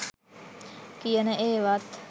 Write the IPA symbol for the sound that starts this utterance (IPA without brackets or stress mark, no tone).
k